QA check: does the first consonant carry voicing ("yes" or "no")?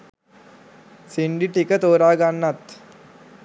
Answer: no